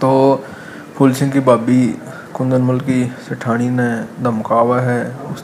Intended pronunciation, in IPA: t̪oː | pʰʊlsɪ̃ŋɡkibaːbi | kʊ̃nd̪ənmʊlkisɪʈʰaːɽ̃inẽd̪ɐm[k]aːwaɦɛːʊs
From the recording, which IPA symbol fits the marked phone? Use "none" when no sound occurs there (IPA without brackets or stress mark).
k